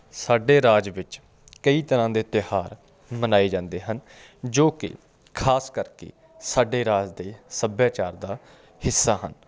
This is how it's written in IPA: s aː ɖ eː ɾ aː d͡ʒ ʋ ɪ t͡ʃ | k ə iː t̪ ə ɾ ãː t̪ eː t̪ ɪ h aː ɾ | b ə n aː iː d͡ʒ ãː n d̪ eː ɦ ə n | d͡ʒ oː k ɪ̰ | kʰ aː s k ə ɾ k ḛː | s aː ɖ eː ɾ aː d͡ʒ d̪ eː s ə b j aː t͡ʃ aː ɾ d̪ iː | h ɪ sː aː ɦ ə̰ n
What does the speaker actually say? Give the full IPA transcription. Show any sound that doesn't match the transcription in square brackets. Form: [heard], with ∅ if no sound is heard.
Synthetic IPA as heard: s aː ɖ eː ɾ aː d͡ʒ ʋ ɪ t͡ʃ | k ə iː t̪ ə ɾ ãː [d̪] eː t̪ ɪ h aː ɾ | [m] ə n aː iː d͡ʒ ãː n d̪ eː ɦ ə n | d͡ʒ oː k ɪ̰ | kʰ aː s k ə ɾ k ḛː | s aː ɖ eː ɾ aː d͡ʒ d̪ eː s ə b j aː t͡ʃ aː ɾ d̪ [aː] | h ɪ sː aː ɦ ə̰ n